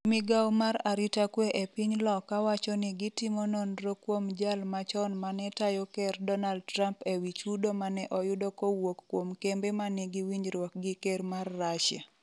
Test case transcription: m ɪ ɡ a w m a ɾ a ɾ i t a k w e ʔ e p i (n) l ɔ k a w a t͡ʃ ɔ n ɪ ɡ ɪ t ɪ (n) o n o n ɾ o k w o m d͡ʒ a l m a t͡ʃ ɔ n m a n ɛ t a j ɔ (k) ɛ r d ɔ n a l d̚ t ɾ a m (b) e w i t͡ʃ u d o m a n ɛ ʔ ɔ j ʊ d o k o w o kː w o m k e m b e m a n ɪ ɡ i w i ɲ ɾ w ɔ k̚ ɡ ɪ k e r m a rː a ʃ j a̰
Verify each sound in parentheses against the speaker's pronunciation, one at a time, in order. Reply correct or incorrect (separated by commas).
incorrect, incorrect, correct, incorrect